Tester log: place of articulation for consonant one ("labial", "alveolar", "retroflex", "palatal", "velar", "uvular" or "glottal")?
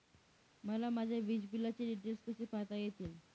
labial